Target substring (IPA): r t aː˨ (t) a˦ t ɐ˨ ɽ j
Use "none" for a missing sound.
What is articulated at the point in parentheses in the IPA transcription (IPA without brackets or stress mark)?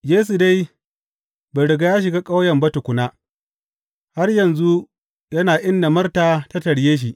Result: t